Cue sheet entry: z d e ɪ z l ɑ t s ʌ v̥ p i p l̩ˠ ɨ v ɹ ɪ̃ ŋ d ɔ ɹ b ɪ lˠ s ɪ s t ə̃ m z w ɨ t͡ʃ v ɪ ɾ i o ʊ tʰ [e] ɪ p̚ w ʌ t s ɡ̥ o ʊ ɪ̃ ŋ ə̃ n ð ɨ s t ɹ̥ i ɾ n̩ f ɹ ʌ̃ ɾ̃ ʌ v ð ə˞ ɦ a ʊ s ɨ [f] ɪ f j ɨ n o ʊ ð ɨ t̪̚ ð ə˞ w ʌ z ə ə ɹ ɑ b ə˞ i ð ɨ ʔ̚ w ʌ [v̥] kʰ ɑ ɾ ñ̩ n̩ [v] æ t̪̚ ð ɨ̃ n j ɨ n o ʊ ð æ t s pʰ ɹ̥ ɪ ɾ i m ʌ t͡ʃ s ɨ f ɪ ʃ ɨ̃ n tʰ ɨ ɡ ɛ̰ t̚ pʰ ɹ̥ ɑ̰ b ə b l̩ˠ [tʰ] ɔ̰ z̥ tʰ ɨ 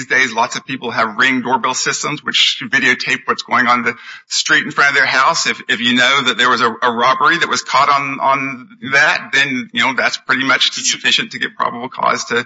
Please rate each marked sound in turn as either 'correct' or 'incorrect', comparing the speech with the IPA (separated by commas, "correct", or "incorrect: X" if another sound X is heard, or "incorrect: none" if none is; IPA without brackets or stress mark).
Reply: correct, correct, incorrect: z̥, incorrect: ð, incorrect: kʰ